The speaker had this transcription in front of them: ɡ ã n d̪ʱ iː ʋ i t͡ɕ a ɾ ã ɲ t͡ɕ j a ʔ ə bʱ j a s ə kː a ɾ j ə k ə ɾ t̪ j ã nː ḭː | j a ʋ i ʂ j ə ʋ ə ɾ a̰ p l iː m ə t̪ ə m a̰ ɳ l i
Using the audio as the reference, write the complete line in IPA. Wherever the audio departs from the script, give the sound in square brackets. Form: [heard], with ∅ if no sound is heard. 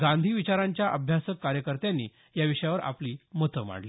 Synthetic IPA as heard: ɡ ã n d̪ʱ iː ʋ i t͡ɕ a ɾ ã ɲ t͡ɕ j a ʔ ə bʱ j a s ə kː a ɾ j ə k ə ɾ t̪ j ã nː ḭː | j a ʋ i ʂ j [a] ʋ ə ɾ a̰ p l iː m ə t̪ ə m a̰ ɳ l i